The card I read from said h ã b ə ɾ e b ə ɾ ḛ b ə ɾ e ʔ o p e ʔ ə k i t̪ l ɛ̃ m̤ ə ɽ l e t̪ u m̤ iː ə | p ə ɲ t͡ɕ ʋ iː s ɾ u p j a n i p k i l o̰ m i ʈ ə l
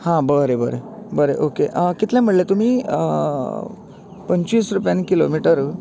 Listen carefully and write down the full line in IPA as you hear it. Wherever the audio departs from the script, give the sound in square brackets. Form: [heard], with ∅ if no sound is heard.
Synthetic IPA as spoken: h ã b ə ɾ e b ə ɾ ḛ b ə ɾ e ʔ o [k] e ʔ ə k i t̪ l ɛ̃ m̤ ə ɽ l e t̪ u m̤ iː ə | p ə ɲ t͡ɕ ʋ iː s ɾ u p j a n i [∅] k i l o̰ m i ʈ ə [ɾ]